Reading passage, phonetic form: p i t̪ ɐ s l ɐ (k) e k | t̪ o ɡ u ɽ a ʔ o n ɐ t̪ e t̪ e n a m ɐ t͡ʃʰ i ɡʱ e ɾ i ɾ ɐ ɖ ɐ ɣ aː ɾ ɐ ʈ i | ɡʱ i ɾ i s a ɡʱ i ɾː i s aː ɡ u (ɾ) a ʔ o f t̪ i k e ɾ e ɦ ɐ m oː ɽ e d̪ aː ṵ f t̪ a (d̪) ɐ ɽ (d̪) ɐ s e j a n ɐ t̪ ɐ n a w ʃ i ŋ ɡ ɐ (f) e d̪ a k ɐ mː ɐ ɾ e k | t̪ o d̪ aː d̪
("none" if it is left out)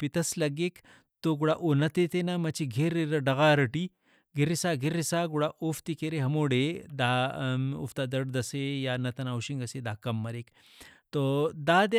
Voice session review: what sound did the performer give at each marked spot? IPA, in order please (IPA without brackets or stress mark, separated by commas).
ɡ, ɽ, d̪, d̪, s